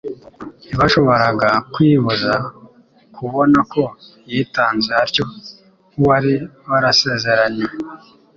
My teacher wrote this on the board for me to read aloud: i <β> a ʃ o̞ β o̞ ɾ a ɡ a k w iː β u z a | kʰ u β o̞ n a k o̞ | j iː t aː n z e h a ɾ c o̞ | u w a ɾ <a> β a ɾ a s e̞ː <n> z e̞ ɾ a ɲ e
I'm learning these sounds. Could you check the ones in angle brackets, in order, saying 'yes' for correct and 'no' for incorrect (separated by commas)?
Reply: yes, no, no